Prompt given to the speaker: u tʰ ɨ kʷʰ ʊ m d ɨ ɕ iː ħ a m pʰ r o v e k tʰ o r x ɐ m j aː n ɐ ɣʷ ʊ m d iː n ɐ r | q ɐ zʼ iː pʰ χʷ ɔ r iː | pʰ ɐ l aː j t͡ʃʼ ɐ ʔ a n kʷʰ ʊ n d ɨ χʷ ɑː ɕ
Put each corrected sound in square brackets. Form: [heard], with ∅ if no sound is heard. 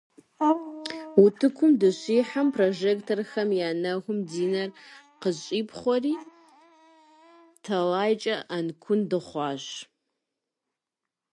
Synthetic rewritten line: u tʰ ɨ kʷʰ ʊ m d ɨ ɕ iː ħ a m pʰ r o [ʒ] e k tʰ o r x ɐ m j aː n ɐ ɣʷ ʊ m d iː n ɐ r | q [ə] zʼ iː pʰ χʷ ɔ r iː | [tʰ] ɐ l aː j t͡ʃʼ ɐ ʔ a n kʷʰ ʊ n d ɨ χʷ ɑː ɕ